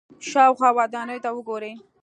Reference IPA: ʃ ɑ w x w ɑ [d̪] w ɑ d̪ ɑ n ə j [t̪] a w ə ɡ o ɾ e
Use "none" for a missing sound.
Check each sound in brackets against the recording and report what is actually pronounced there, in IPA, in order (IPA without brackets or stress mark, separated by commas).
none, t̪